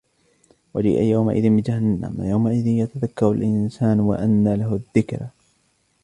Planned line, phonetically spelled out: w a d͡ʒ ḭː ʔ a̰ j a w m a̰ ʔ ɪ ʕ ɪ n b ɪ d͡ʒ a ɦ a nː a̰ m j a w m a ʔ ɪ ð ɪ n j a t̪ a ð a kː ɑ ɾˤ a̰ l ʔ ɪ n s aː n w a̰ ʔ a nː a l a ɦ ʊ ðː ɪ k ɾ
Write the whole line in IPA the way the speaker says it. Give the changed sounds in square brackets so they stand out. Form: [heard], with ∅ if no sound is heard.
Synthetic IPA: w a d͡ʒ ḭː ʔ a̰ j a w m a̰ ʔ ɪ [ð] ɪ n b ɪ d͡ʒ a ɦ a nː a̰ m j a w m a ʔ ɪ ð ɪ n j a t̪ a ð a kː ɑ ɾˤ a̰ l ʔ ɪ n s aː n w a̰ ʔ a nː a l a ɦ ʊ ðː ɪ k ɾ